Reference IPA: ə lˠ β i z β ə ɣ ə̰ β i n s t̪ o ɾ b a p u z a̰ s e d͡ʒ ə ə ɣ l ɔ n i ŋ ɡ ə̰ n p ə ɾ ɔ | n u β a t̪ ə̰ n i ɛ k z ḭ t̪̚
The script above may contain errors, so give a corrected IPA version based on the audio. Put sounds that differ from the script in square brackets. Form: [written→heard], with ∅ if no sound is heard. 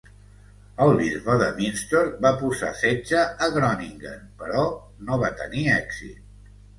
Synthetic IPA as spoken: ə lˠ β i z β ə [ɣ→ð] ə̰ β i n s t̪ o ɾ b a p u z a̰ s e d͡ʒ ə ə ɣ [l→ɾ] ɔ n i ŋ ɡ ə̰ n p ə ɾ ɔ | n [u→o] β a t̪ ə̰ n i ɛ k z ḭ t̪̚